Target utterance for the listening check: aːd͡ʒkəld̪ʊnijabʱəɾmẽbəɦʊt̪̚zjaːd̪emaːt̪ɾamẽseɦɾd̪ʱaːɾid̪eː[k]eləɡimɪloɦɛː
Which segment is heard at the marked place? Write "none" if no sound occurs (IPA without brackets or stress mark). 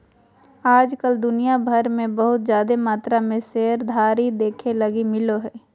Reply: kʰ